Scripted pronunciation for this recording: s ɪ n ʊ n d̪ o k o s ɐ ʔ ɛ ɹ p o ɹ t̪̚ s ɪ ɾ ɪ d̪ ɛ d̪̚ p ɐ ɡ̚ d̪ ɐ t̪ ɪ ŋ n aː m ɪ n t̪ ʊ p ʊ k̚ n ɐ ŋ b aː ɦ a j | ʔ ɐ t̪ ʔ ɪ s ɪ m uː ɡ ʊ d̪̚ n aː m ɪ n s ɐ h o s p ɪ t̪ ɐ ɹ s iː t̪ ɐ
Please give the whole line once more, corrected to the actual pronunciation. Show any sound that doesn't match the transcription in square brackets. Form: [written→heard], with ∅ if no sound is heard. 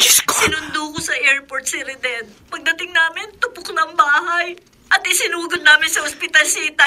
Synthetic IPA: s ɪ n ʊ n d̪ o k o s ɐ ʔ ɛ ɹ p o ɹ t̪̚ s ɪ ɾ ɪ d̪ ɛ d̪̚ p ɐ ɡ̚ d̪ ɐ t̪ ɪ ŋ n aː m ɪ n t̪ ʊ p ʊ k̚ n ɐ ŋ b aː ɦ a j | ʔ ɐ t̪ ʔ ɪ s ɪ [m→n] uː ɡ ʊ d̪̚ n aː m ɪ n s ɐ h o s p ɪ t̪ ɐ [ɹ→l] s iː t̪ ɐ